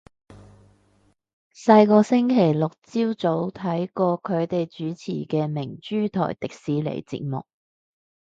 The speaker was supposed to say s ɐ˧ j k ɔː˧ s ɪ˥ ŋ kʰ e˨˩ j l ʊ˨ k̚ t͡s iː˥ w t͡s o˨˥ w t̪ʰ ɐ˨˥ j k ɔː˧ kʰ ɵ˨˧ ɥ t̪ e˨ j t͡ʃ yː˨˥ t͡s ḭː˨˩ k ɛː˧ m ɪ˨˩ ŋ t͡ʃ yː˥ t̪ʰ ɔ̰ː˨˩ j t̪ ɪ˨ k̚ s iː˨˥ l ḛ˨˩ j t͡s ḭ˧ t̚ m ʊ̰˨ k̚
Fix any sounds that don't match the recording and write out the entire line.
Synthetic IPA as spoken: s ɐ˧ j k ɔː˧ s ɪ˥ ŋ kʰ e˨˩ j l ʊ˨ k̚ t͡s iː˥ w t͡s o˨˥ w t̪ʰ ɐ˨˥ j k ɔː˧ kʰ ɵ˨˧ ɥ t̪ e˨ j t͡ʃ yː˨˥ t͡sʰ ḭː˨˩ k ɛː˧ m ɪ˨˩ ŋ t͡ʃ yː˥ t̪ʰ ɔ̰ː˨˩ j t̪ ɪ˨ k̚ s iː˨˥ l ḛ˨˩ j t͡s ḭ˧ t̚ m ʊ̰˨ k̚